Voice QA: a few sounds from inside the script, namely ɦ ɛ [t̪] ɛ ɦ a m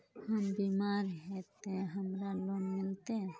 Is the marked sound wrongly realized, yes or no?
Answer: no